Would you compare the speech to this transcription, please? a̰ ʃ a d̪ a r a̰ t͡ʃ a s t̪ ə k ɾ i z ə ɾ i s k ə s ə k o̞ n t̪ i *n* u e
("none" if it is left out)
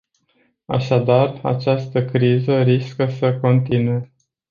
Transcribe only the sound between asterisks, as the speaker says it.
n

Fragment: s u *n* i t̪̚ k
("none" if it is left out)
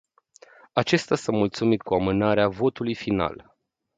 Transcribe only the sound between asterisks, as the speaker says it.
m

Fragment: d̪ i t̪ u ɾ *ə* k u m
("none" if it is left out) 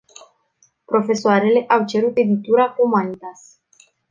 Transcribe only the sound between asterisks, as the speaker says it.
a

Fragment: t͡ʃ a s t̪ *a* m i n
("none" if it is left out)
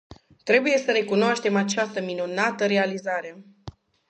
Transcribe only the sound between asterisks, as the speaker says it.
ə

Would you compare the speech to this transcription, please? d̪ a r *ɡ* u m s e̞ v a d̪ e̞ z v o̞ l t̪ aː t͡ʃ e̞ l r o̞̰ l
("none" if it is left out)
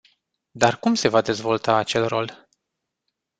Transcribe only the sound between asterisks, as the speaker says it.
k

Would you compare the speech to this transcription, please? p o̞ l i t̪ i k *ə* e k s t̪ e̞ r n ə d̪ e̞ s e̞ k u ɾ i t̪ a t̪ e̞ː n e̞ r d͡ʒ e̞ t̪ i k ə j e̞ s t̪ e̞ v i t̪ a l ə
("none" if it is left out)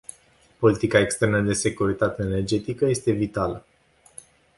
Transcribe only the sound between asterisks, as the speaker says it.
a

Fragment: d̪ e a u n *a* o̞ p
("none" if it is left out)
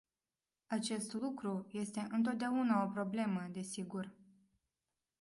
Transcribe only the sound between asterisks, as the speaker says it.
a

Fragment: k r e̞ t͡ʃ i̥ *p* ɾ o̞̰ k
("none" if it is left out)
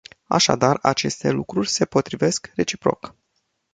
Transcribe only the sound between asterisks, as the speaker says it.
p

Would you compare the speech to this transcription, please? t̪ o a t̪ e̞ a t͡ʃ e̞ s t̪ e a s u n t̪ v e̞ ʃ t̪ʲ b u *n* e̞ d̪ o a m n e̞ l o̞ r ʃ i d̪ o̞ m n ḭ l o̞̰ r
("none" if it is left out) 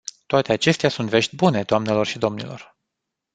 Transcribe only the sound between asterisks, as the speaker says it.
n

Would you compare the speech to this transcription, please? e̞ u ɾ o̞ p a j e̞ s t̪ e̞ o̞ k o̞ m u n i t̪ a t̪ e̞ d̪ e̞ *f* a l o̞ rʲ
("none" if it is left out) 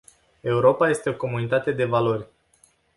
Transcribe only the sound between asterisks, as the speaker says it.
v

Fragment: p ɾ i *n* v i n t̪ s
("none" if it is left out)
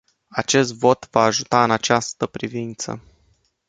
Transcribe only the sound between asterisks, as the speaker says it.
none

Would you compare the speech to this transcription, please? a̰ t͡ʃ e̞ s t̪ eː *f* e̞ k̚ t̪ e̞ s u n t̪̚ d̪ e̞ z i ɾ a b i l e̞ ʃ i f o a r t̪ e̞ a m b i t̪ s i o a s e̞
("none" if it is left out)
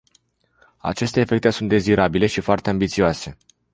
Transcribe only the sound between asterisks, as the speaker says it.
f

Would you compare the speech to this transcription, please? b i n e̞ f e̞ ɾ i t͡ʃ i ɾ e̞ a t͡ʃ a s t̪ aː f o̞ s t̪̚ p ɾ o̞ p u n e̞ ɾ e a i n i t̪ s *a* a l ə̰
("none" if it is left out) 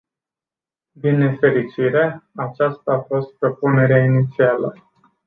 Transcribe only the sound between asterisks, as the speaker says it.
i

